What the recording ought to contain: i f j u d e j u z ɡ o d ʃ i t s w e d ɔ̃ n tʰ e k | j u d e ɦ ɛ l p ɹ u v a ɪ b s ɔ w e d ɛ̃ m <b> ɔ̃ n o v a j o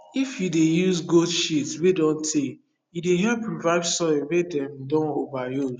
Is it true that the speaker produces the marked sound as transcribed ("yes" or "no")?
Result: no